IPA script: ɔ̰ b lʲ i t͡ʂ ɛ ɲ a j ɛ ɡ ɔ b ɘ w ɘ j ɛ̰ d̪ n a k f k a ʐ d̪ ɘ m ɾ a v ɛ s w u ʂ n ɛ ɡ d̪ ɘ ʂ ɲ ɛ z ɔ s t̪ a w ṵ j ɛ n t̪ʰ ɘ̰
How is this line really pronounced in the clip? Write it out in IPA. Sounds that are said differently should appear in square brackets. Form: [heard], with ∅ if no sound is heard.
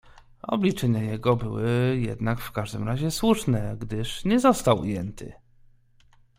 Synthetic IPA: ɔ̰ b lʲ i t͡ʂ ɛ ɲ a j ɛ ɡ ɔ b ɘ w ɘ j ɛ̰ d̪ n a k f k a ʐ d̪ ɘ m ɾ a [ʑ] ɛ s w u ʂ n ɛ ɡ d̪ ɘ ʂ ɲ ɛ z ɔ s t̪ a w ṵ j ɛ n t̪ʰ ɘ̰

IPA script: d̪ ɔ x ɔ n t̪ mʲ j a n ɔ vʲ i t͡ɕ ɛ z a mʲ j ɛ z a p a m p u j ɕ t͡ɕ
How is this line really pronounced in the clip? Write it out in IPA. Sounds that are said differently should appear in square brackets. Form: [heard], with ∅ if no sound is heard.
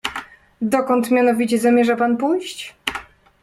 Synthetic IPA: d̪ ɔ [k] ɔ n t̪ mʲ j a n ɔ vʲ i t͡ɕ ɛ z a mʲ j ɛ [ʐ] a p a [n] p u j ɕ t͡ɕ

